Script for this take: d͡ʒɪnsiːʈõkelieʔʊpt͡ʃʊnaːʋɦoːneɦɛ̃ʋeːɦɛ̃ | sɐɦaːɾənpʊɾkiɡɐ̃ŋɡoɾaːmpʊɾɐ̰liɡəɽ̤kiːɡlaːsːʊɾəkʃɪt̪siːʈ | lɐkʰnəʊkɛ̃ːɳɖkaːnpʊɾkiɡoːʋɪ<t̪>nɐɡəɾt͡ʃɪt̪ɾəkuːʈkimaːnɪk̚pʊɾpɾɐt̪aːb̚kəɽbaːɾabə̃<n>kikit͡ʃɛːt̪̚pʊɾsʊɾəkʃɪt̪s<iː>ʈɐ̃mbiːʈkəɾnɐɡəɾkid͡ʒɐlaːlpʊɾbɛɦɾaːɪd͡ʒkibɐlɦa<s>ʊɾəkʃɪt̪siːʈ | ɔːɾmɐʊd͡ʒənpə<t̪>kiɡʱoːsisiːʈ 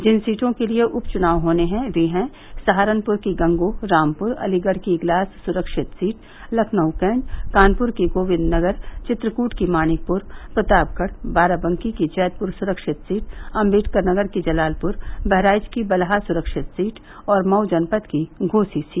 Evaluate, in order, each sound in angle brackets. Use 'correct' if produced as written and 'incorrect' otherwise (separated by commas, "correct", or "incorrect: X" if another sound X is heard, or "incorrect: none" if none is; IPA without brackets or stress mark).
incorrect: d̪, incorrect: ŋ, correct, correct, correct